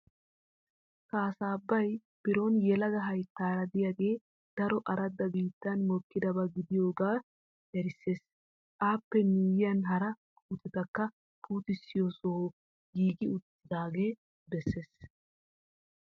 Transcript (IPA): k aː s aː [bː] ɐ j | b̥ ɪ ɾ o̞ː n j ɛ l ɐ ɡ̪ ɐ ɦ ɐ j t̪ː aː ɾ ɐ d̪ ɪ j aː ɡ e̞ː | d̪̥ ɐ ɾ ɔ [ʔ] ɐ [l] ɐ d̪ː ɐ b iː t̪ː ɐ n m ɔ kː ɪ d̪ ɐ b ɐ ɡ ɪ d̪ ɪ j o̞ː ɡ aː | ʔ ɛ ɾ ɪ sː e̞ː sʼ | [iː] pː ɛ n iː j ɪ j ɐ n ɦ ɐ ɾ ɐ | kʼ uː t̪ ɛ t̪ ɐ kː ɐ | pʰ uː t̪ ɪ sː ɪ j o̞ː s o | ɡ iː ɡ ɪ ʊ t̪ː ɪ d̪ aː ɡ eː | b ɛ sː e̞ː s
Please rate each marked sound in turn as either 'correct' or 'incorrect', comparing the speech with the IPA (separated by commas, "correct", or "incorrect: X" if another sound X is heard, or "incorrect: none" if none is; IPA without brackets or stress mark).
correct, correct, incorrect: ɾ, incorrect: aː